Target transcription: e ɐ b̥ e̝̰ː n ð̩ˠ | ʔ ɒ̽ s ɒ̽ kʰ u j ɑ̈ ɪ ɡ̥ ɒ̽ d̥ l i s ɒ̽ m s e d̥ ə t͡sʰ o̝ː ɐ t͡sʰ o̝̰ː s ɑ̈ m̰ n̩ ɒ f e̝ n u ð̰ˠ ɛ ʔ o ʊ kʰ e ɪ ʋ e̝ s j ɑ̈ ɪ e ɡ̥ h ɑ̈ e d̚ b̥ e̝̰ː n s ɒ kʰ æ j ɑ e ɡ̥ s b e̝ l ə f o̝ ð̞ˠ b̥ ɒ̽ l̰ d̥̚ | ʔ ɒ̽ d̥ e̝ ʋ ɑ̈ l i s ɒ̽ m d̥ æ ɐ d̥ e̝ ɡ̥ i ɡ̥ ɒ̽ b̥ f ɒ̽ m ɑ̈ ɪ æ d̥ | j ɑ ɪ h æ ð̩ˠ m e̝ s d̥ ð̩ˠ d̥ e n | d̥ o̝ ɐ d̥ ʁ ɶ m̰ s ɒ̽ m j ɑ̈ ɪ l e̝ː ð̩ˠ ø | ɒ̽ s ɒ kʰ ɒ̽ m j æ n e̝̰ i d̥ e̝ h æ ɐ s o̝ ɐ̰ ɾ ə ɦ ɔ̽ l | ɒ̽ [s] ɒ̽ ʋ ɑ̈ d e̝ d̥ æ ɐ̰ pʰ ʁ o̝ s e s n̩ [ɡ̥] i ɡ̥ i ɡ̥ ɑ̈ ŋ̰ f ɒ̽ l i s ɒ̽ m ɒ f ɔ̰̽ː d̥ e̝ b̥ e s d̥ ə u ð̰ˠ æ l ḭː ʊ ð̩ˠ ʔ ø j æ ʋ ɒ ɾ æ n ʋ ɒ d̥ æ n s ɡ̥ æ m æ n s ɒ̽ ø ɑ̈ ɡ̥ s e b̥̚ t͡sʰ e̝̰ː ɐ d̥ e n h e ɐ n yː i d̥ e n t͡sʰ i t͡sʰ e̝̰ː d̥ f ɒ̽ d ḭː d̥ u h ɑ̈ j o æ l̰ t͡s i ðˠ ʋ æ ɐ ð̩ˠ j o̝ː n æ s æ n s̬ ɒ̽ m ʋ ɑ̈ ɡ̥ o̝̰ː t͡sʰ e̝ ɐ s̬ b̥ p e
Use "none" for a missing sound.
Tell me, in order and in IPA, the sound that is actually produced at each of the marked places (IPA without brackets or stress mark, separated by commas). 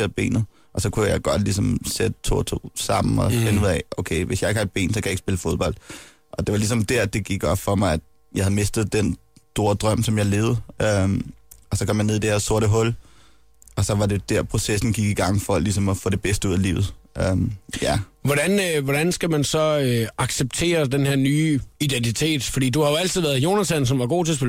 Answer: s, ɡ̥